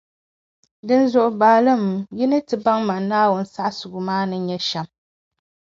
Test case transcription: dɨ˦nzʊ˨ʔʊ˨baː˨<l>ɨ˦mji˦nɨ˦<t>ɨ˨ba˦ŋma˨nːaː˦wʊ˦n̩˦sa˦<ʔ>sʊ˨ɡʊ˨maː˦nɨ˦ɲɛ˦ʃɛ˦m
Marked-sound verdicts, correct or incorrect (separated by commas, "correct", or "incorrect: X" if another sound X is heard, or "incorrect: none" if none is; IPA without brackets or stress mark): correct, correct, correct